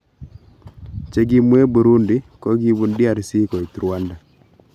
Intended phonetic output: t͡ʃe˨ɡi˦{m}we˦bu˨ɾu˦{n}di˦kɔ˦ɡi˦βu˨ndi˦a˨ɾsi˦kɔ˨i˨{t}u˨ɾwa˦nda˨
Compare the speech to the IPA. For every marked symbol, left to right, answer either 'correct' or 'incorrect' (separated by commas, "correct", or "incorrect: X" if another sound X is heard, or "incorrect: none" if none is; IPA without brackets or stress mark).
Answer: correct, correct, correct